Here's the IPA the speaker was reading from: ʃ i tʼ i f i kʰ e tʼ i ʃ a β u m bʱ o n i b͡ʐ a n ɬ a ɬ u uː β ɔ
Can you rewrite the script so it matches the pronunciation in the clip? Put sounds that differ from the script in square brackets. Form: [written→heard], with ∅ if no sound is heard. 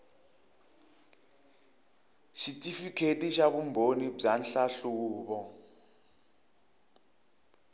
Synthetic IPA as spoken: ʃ i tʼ i f i kʰ e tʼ i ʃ a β u m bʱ o n i b͡ʐ a n ɬ a ɬ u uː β ɔ